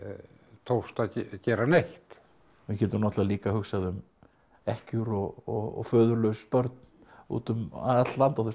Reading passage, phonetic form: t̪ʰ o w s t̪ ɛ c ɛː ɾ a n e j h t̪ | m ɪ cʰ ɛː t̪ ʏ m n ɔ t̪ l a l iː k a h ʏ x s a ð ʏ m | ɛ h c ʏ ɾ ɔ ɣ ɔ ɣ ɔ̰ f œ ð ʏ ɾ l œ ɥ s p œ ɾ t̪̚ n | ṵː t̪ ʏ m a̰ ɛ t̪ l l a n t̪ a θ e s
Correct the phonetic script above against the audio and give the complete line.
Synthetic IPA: t̪ʰ o w s t̪ a c ɛː ɾ a n e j h t̪ | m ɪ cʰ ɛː t̪ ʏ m n ɔ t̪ l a l iː k a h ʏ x s a ð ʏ m | ɛ h c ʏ ɾ ɔ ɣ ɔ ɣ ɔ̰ f œː ð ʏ ɾ l œ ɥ s p œ ɾ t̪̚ n | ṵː t̪ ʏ m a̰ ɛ t̪ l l a n t̪ a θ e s